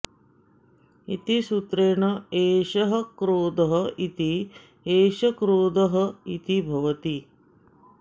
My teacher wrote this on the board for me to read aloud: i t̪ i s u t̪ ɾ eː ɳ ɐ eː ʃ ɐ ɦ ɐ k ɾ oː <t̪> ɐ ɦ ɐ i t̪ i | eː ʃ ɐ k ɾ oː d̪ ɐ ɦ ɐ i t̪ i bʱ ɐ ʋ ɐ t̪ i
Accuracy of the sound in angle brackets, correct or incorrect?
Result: incorrect